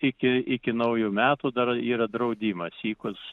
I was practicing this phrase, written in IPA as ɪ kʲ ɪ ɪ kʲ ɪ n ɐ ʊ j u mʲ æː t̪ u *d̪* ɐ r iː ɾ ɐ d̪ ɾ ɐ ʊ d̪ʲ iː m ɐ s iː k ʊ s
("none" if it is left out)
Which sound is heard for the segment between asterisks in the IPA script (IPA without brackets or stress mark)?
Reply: d̪